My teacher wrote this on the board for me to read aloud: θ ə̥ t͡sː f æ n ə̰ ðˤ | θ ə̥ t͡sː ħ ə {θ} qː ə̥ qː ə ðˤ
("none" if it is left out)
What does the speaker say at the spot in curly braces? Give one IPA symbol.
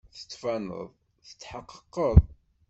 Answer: none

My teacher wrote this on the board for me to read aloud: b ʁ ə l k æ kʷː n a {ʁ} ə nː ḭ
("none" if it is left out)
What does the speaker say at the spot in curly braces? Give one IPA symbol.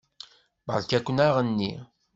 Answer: ʁ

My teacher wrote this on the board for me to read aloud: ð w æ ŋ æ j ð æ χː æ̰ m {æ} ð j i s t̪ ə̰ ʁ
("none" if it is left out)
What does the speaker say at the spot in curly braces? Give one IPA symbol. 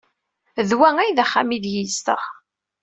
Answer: i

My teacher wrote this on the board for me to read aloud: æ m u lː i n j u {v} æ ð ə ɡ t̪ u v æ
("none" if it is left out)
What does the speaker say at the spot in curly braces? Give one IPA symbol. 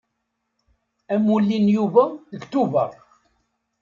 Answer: v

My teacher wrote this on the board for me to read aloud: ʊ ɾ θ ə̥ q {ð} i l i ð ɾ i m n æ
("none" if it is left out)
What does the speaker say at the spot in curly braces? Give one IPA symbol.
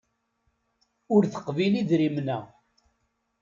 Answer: v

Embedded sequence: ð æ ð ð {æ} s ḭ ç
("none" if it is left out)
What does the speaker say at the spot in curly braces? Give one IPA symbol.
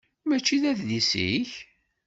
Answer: i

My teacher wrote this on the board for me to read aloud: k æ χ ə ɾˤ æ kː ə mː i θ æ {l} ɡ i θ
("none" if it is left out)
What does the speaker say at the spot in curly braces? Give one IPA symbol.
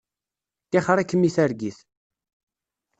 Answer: ɾ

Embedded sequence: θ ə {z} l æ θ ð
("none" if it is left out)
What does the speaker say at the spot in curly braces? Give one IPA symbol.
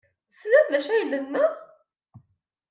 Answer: s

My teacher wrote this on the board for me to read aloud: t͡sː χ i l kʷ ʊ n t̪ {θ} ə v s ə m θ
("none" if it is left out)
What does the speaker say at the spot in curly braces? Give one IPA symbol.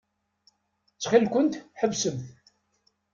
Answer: ħ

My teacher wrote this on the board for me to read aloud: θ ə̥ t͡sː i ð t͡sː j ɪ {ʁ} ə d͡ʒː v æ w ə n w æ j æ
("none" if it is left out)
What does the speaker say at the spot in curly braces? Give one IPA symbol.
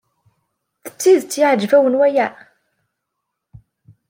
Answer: ʕ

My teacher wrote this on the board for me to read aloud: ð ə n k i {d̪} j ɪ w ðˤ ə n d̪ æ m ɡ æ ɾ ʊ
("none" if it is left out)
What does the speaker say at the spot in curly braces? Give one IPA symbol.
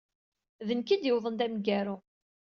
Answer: d̪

